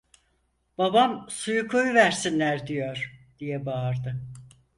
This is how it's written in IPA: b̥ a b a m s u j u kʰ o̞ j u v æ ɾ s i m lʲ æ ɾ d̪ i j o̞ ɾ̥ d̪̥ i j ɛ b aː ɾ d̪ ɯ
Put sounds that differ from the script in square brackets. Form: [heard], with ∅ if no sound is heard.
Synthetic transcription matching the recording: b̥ a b a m s u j u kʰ o̞ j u v æ ɾ s i [n] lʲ æ ɾ d̪ i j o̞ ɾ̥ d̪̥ i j ɛ b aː ɾ d̪ ɯ